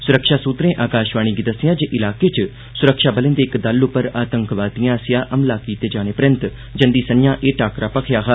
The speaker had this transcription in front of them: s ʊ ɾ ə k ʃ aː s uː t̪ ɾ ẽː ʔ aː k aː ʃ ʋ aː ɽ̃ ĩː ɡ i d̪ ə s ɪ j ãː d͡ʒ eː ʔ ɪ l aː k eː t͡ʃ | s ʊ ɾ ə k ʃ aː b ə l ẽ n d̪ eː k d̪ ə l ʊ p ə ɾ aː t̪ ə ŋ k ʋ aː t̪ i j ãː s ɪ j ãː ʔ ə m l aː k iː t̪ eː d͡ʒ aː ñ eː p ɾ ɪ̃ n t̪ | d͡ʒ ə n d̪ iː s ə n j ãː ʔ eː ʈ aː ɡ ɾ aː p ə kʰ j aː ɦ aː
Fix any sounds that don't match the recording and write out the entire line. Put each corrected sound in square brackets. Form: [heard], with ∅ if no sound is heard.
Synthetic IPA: s ʊ ɾ ə k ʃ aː s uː t̪ ɾ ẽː ʔ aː k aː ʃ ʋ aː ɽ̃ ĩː ɡ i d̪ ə s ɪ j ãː d͡ʒ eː ʔ ɪ l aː k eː t͡ʃ | s ʊ ɾ ə k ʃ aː b ə l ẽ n d̪ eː k d̪ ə l ʊ p ə ɾ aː t̪ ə ŋ k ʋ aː t̪ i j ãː s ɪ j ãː ʔ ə m l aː k iː t̪ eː d͡ʒ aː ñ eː p ɾ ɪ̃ n t̪ | d͡ʒ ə n d̪ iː s ə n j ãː ʔ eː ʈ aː [k] ɾ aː p ə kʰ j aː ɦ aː